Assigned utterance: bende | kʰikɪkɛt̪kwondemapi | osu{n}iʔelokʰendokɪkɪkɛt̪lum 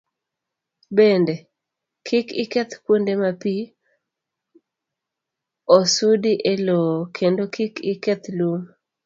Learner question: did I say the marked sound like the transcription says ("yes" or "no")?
no